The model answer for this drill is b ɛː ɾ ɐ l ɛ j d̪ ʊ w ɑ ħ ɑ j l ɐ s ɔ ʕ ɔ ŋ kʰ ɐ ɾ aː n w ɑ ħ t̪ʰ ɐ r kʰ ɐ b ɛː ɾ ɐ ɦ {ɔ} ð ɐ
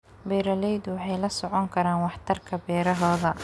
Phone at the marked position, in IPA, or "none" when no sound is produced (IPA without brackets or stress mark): ɔː